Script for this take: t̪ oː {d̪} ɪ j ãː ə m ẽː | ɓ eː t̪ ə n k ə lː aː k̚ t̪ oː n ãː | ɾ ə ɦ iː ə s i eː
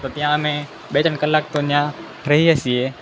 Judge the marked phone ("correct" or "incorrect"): incorrect